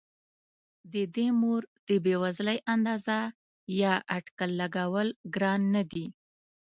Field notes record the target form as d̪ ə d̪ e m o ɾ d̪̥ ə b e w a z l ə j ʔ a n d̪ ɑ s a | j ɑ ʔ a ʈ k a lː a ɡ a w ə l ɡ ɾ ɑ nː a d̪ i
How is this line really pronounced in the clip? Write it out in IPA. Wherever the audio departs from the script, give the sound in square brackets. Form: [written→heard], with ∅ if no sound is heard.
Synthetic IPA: d̪ ə d̪ e m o ɾ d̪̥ ə b e w a z l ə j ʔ a n d̪ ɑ [s→z] a | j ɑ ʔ a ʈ k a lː a ɡ a w ə l ɡ ɾ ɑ nː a d̪ i